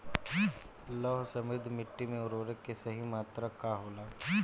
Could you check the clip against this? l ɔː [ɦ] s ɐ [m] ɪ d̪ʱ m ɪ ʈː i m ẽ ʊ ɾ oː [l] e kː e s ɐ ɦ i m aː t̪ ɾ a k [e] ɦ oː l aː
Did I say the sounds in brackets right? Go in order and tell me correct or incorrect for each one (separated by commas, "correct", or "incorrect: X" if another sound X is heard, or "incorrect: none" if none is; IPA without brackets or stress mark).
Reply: correct, correct, incorrect: ɾ, incorrect: a